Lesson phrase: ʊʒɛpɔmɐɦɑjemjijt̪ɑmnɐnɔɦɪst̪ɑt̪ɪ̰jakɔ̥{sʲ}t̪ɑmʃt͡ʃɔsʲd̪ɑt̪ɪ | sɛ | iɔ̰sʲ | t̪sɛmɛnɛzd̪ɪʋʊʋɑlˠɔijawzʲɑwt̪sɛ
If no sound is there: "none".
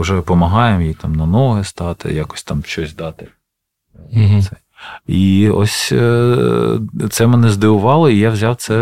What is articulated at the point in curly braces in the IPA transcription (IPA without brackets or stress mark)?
sʲ